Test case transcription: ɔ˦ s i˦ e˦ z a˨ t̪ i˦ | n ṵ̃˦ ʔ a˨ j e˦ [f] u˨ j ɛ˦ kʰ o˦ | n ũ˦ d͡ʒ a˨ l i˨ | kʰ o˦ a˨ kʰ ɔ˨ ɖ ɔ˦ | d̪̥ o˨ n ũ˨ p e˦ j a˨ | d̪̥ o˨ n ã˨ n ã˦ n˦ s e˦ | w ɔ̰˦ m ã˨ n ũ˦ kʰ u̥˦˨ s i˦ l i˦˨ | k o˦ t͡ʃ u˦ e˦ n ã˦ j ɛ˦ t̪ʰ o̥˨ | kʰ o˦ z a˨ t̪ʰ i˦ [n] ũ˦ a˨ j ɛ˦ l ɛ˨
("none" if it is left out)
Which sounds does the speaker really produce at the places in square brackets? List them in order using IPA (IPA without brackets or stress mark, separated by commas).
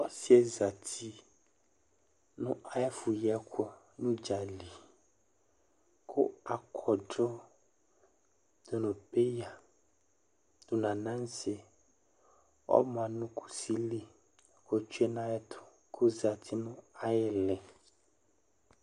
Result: f, n